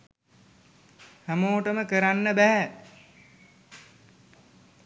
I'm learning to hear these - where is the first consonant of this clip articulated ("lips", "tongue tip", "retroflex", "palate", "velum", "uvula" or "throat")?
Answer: throat